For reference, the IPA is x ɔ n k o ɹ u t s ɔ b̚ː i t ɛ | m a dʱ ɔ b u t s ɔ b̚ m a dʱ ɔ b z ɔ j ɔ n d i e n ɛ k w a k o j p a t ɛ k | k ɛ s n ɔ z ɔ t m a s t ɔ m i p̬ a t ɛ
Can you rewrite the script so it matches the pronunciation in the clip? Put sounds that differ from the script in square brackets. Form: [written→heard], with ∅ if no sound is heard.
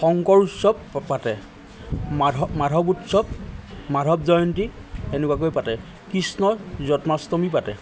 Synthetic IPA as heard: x ɔ [n→ŋ] k [o→ɔ] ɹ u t s ɔ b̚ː [i→a] t ɛ | m a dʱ ɔ b u t s ɔ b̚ m a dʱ ɔ b z ɔ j ɔ n [d→t] i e n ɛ k w a k o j p a t ɛ [k→∅] | k [ɛ→i] s n ɔ z ɔ t m a s t ɔ m i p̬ a t ɛ